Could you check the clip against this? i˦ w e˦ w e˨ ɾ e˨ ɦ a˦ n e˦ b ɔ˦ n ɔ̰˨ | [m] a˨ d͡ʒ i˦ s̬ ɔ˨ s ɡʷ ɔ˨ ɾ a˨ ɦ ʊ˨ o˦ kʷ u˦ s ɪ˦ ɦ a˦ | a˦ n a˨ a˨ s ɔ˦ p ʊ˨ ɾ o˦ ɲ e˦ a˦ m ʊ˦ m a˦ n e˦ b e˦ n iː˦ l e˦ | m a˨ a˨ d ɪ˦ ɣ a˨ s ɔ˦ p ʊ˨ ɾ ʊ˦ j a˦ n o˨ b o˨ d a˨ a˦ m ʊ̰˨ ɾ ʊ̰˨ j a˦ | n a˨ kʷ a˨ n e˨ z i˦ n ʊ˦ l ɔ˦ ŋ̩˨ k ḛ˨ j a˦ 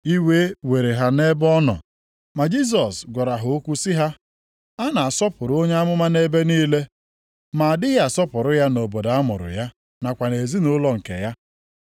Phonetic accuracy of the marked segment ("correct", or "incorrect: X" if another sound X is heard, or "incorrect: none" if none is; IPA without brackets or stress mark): correct